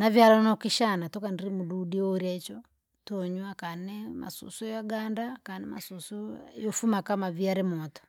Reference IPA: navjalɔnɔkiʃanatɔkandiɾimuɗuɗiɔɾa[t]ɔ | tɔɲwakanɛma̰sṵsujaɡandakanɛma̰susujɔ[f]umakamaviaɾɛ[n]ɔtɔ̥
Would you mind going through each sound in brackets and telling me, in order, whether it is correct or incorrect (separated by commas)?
incorrect, correct, incorrect